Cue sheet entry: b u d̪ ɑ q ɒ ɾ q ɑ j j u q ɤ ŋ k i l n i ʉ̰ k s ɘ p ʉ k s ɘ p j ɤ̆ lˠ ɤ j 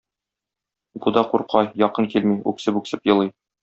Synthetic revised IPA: b u d̪ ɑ q u ɾ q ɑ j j ɒ q ɤ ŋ k i l m i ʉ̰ k s ɘ p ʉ k s ɘ p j ɤ̆ lˠ ɤ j

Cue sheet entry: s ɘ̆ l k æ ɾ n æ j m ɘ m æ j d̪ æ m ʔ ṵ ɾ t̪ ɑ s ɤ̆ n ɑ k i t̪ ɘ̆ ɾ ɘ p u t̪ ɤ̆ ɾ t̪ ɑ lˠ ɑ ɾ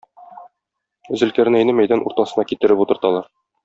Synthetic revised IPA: z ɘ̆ l k æ ɾ n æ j n ɘ m æ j d̪ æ n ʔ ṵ ɾ t̪ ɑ s ɤ̆ n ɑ k i t̪ ɘ̆ ɾ ɘ p u t̪ ɤ̆ ɾ t̪ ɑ lˠ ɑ ɾ

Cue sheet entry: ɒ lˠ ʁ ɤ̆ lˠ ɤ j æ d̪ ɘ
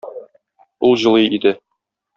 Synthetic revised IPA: u lˠ ʑ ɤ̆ lˠ ɤ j i d̪ ɘ

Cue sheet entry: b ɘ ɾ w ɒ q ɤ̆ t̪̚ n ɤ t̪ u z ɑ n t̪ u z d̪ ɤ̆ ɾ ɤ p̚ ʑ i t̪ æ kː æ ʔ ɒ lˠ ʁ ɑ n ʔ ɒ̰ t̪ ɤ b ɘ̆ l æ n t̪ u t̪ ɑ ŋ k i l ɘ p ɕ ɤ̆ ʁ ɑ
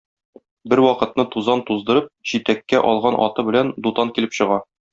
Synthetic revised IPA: b ɘ ɾ w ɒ q ɤ̆ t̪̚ n ɤ t̪ u z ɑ n t̪ u z d̪ ɤ̆ ɾ ɤ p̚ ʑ i t̪ æ kː æ ʔ ɒ lˠ ʁ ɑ n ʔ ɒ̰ t̪ ɤ b ɘ̆ l æ n d̪ u t̪ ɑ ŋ k i l ɘ p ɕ ɤ̆ ʁ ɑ

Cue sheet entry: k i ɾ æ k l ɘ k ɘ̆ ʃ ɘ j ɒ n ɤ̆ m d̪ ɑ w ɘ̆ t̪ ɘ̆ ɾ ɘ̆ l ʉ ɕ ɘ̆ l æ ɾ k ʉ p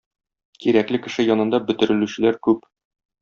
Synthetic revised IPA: k i ɾ æ k l ɘ k ɘ̆ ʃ ɘ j ɒ n ɤ̆ n d̪ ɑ b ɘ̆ t̪ ɘ̆ ɾ ɘ̆ l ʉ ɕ ɘ̆ l æ ɾ k ʉ p

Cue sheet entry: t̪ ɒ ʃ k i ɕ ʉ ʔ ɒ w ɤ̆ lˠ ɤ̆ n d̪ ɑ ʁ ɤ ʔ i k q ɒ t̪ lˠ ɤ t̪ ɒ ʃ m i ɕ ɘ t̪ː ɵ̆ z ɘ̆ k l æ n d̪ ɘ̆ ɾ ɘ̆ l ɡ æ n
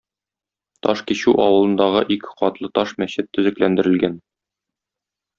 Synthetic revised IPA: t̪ ɒ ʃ k i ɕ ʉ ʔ ɒ w ɤ̆ lˠ ɤ̆ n d̪ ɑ ʁ ɤ ʔ i k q ɒ t̪ lˠ ɤ t̪ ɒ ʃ m æ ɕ ɘ t̪ː ɵ̆ z ɘ̆ k l æ n d̪ ɘ̆ ɾ ɘ̆ l ɡ æ n

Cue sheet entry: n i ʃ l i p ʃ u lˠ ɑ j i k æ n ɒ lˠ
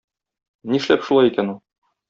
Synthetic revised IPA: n i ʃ l æ p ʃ u lˠ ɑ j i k æ n u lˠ

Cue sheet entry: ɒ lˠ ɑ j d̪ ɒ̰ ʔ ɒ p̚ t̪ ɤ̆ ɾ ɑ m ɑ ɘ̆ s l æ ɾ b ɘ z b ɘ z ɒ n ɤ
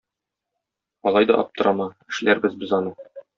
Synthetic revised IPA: ɒ lˠ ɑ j d̪ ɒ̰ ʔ ɒ p̚ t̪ ɤ̆ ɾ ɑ m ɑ ɘ̆ ʃ l æ ɾ b ɘ z b ɘ z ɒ n ɤ

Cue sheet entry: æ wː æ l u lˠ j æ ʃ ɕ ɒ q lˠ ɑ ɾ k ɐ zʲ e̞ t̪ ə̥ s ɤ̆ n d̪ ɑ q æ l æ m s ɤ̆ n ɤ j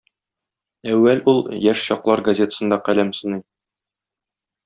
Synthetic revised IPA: æ wː æ l u lˠ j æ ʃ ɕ ɒ q lˠ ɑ ɾ ɡ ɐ zʲ e̞ t̪ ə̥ s ɤ̆ n d̪ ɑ q æ l æ m s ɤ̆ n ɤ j

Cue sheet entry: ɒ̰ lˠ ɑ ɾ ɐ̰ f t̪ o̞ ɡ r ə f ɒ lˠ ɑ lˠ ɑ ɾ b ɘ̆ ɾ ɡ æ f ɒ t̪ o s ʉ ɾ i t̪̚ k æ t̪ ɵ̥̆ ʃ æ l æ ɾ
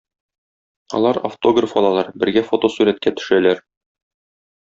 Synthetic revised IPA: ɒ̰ lˠ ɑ ɾ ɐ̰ f t̪ o̞ ɡ r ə f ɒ lˠ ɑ lˠ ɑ ɾ b ɘ̆ ɾ ɡ æ f o t̪ o s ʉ ɾ æ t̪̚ k æ t̪ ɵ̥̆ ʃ æ l æ ɾ

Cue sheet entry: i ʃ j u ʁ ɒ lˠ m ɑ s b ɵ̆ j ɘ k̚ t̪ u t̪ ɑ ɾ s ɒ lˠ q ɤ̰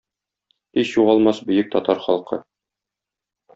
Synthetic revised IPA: i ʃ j u ʁ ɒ lˠ m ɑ s b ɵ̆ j ɘ k̚ t̪ ɒ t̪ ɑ ɾ χ ɒ lˠ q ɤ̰

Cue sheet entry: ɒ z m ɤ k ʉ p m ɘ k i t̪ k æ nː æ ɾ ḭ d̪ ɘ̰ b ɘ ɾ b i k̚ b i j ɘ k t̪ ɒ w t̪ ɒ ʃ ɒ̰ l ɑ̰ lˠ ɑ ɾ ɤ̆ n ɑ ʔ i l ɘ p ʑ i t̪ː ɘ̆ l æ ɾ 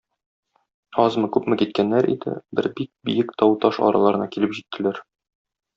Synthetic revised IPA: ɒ z m ɤ k ʉ p m ɘ k i t̪ k æ nː æ ɾ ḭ d̪ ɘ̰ b ɘ ɾ b i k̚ b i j ɘ k t̪ ɒ w t̪ ɒ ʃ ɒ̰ ɾ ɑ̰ lˠ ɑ ɾ ɤ̆ n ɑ k i l ɘ p ʑ i t̪ː ɘ̆ l æ ɾ

